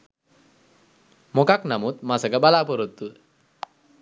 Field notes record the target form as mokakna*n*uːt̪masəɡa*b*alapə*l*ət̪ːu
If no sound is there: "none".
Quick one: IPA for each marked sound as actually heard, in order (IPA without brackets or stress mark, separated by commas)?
m, b, ɾ